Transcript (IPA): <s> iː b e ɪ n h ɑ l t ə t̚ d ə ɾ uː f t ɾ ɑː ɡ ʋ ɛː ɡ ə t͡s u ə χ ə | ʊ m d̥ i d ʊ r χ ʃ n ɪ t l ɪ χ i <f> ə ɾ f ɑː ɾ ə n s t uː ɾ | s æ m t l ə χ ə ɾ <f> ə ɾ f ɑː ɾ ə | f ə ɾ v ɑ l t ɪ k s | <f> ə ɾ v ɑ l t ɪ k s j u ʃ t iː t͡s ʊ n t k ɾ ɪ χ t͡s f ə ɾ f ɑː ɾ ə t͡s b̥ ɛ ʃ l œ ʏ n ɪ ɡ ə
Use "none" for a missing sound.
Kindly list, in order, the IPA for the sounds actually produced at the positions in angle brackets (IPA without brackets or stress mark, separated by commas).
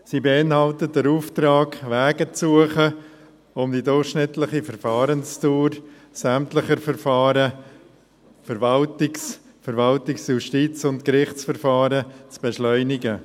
s, f, f, f